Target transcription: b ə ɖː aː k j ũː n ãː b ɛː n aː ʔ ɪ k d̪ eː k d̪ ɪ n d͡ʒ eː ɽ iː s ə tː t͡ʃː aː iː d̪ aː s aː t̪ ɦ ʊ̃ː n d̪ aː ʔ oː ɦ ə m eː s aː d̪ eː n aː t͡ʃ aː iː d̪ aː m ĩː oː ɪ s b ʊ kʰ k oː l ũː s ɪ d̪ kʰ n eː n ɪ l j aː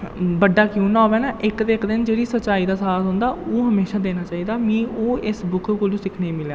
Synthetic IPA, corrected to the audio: b ə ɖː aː k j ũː n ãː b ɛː n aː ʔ ɪ k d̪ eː k d̪ ɪ n d͡ʒ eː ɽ iː s ə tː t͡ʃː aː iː d̪ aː s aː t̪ ɦ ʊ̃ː n d̪ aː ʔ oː ɦ ə m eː ʃ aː d̪ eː n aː t͡ʃ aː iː d̪ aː m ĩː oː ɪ s b ʊ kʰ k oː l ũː s ɪ kʰ n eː m ɪ l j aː

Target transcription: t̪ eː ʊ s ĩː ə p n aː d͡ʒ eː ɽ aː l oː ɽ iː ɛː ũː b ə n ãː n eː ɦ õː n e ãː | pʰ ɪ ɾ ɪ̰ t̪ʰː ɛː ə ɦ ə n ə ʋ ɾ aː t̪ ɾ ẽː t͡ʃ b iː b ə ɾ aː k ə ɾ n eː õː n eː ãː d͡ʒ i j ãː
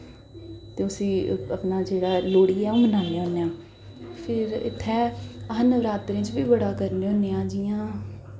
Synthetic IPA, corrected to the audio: t̪ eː ʊ s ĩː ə p n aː d͡ʒ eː ɽ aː l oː ɽ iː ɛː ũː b ə n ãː n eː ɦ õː n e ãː | pʰ ɪ ɾ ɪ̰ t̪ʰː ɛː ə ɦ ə n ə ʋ ɾ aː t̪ ɾ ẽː t͡ʃ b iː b ə ɽ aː k ə ɾ n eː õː n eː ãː d͡ʒ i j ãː

